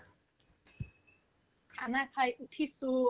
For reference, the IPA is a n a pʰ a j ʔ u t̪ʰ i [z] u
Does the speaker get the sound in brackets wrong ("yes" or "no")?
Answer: yes